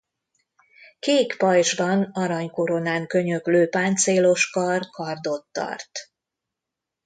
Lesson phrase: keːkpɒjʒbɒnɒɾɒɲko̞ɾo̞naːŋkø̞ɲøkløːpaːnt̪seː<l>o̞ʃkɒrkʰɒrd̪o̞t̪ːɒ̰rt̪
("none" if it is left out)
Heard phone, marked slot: l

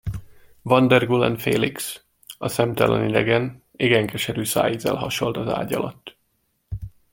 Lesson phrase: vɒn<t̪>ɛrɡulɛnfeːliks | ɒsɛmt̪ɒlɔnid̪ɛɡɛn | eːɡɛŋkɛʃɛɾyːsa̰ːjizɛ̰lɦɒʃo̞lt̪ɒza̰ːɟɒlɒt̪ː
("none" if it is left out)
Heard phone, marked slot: d̪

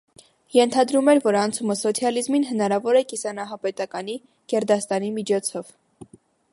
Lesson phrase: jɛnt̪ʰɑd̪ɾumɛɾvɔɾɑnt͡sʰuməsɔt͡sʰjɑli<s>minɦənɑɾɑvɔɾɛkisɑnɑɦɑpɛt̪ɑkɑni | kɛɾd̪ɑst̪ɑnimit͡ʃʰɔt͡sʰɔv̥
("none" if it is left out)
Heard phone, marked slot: z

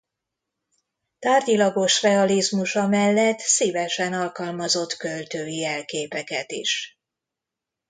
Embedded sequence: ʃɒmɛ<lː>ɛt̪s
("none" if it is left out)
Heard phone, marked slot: lː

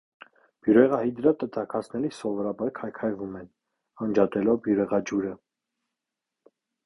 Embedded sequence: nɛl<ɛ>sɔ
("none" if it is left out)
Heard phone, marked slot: i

